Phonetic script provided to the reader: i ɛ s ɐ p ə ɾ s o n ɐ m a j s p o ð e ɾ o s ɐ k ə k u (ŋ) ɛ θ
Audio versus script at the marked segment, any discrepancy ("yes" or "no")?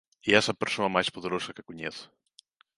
yes